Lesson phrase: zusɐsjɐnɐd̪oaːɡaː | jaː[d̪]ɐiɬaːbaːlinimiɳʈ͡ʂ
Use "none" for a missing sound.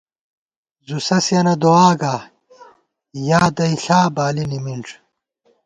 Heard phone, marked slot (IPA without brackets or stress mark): d̪